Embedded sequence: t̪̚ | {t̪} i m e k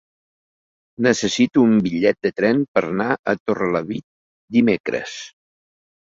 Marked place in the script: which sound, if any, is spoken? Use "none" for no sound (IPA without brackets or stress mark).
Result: d̪